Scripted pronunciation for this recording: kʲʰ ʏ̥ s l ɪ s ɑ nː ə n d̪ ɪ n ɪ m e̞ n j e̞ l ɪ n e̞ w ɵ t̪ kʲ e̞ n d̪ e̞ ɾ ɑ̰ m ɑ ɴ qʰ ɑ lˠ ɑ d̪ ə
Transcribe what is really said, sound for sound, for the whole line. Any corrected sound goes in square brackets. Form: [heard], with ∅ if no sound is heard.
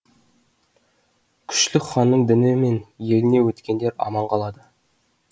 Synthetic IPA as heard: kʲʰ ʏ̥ [ʃ] l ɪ [χ] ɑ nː ə [ɴ] d̪ ɪ n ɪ m e̞ n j e̞ l ɪ n e̞ w ɵ t̪ kʲ e̞ n d̪ e̞ ɾ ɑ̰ m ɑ ɴ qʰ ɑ lˠ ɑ d̪ ə